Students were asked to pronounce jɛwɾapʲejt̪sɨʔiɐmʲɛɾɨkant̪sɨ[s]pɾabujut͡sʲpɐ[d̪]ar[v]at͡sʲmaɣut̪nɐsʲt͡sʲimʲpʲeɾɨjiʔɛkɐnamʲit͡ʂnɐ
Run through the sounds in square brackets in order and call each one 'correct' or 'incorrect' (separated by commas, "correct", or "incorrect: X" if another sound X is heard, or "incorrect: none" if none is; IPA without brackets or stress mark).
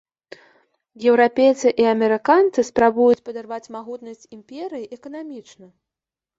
correct, correct, correct